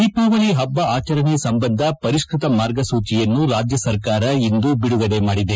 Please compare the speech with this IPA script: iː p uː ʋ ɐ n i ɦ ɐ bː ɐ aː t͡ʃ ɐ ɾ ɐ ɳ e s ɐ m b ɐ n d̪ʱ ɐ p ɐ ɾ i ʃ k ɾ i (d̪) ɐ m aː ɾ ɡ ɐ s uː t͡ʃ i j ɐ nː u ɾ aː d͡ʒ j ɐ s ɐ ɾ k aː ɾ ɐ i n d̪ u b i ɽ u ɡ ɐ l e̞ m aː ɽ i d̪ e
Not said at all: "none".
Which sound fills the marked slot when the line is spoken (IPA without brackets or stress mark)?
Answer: t̪